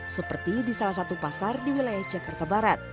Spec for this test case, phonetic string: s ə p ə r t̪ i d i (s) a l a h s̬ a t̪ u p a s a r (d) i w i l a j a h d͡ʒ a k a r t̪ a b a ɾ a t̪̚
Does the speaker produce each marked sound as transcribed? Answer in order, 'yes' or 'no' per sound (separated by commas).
yes, yes